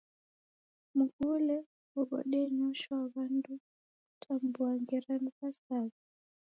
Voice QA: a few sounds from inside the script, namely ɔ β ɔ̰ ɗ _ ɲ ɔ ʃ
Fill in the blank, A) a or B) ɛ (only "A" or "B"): B